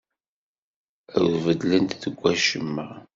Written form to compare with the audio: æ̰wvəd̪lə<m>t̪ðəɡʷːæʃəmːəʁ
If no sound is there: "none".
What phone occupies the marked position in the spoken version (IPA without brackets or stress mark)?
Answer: n